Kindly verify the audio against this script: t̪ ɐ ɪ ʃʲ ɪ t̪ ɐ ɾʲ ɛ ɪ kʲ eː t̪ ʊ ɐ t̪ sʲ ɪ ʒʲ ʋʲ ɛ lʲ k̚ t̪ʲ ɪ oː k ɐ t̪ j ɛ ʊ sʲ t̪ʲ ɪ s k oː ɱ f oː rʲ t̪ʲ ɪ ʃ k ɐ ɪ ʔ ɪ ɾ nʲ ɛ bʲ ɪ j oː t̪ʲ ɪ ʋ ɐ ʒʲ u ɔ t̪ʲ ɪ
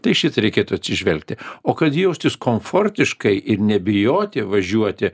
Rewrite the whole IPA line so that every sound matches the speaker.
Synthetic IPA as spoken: t̪ ɐ ɪ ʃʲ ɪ t̪ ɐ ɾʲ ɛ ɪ kʲ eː t̪ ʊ ɐ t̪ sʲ ɪ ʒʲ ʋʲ ɛ lʲ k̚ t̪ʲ ɪ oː k ɐ t̪ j ɛ ʊ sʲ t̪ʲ ɪ s k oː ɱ f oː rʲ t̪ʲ ɪ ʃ k ɐ ɪ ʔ ɪ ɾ nʲ ɛ bʲ ɪ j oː t̪ʲ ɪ ʋ ɐ ʒʲ u ɔ t̪ʲ ɪ

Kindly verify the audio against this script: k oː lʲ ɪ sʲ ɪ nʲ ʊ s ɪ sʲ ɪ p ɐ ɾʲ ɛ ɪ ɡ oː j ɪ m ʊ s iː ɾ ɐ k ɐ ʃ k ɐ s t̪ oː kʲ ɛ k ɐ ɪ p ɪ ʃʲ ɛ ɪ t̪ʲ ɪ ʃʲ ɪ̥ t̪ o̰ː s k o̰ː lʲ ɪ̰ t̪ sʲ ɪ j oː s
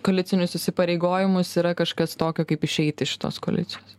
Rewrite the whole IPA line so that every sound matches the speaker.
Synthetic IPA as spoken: k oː lʲ ɪ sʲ ɪ nʲ ʊ s ɪ sʲ ɪ p ɐ ɾʲ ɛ ɪ ɡ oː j ɪ m ʊ s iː ɾ ɐ k ɐ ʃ k ɐ s t̪ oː kʲ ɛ k ɐ ɪ p ɪ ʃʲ ɛ ɪ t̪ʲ ɪ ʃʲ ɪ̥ t̪ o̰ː s k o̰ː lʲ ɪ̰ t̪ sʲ ɪ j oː s

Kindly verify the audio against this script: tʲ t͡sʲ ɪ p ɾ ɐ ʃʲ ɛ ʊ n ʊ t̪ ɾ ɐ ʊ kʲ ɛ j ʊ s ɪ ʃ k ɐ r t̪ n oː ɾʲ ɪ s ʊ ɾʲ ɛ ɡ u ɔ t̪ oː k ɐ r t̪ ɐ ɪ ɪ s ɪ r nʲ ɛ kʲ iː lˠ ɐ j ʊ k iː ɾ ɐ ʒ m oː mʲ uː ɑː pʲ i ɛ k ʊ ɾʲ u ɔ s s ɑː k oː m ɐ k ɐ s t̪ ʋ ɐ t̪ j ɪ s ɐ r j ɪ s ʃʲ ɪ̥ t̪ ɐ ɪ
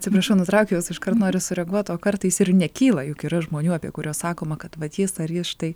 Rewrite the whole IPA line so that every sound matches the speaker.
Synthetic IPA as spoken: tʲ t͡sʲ ɪ p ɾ ɐ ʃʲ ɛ ʊ n ʊ t̪ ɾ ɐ ʊ kʲ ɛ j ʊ s ɪ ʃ k ɐ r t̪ n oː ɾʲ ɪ s ʊ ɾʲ ɛ ɡ u ɔ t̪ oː k ɐ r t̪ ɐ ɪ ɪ s ɪ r nʲ ɛ kʲ iː lˠ ɐ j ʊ k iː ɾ ɐ ʒ m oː nʲ uː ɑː pʲ i ɛ k ʊ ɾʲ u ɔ s s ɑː k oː m ɐ k ɐ t̪ ʋ ɐ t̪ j ɪ s ɐ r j ɪ s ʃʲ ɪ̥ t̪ ɐ ɪ

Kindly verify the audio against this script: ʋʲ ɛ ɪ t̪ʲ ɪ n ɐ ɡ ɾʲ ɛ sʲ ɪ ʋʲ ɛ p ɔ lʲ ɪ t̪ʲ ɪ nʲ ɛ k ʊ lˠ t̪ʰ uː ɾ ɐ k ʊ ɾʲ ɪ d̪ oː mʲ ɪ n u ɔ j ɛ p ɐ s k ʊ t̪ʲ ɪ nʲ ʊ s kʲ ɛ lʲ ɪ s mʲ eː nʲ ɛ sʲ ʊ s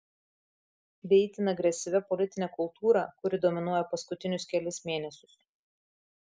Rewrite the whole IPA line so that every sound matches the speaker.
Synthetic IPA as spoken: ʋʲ ɛ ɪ t̪ʲ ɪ n ɐ ɡ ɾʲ ɛ sʲ ɪ ʋʲ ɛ p ɔ lʲ ɪ t̪ʲ ɪ nʲ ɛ k ʊ lˠ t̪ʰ uː ɾ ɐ k ʊ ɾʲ ɪ d̪ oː mʲ ɪ n u ɔ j ɛ p ɐ s k ʊ t̪ʲ ɪ nʲ ʊ s kʲ ɛ lʲ ɪ s mʲ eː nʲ ɛ sʲ ʊ s

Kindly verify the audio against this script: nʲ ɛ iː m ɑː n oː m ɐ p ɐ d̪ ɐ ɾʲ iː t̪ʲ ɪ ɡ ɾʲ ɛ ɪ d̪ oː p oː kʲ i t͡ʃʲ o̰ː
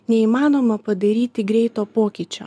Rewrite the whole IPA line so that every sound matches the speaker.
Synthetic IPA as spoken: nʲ ɛ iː m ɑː n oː m ɐ p ɐ d̪ ɐ ɾʲ iː t̪ʲ ɪ ɡ ɾʲ ɛ ɪ t̪ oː p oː kʲ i t͡ʃʲ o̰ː

